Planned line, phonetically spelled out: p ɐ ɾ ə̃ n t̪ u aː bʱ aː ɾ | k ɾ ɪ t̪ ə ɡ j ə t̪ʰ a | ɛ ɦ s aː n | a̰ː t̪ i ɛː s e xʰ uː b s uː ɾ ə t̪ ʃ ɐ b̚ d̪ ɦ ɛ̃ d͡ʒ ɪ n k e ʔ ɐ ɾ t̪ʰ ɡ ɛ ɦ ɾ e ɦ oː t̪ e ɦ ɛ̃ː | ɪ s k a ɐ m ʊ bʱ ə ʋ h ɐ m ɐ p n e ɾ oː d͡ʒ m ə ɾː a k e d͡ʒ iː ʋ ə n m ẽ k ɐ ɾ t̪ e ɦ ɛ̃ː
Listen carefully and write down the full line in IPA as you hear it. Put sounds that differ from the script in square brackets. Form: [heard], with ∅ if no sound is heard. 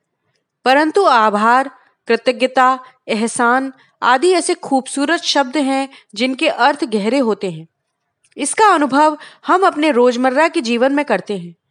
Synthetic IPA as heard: p ɐ ɾ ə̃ n t̪ u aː bʱ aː ɾ | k ɾ ɪ t̪ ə ɡ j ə [t̪] a | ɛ ɦ s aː n | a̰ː [d̪] i ɛː s e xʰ uː b s uː ɾ ə t̪ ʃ ɐ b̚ d̪ ɦ ɛ̃ d͡ʒ ɪ n k e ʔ ɐ ɾ t̪ʰ ɡ ɛ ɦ ɾ e ɦ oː t̪ e ɦ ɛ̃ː | ɪ s k a ɐ [n] ʊ bʱ ə ʋ h ɐ m ɐ p n e ɾ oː d͡ʒ m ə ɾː a k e d͡ʒ iː ʋ ə n m ẽ k ɐ ɾ t̪ e ɦ ɛ̃ː